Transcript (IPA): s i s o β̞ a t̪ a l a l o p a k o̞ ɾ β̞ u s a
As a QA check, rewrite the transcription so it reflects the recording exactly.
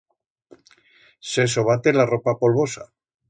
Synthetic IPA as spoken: s e s o β̞ a t̪ e l a r o p a p o̞ l β̞ o s a